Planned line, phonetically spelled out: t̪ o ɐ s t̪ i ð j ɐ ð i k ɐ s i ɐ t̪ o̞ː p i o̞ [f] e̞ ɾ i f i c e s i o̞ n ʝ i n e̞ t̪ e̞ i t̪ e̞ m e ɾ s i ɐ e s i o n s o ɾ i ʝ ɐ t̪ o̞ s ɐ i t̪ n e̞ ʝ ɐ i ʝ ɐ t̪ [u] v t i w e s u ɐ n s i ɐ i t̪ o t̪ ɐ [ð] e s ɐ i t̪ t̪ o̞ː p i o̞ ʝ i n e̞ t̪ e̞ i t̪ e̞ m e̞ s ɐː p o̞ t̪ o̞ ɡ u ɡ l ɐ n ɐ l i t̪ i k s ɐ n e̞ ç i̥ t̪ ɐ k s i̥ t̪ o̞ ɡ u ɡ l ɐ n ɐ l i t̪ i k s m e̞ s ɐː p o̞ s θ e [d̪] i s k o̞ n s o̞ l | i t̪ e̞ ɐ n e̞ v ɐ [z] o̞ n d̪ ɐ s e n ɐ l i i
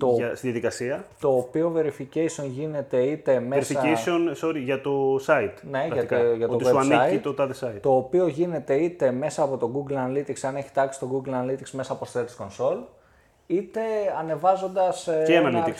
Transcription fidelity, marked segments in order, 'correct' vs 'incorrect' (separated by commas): incorrect, incorrect, correct, incorrect, correct